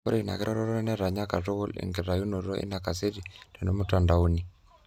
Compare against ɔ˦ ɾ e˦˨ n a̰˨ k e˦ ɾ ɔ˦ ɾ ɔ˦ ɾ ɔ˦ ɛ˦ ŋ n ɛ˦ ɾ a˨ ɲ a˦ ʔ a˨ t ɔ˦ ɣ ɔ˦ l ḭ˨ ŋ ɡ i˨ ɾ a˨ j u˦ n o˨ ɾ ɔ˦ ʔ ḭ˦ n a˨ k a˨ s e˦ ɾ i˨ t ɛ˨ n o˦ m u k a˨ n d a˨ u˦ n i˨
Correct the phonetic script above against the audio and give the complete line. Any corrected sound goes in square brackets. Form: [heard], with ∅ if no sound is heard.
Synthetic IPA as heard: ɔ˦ ɾ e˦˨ n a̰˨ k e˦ ɾ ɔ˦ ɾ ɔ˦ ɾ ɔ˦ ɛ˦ [∅] n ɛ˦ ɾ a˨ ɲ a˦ [k] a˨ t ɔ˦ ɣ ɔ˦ l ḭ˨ ŋ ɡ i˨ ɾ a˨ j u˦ n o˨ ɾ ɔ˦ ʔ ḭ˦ n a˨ k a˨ s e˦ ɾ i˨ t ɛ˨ n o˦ m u [t] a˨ n d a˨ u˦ n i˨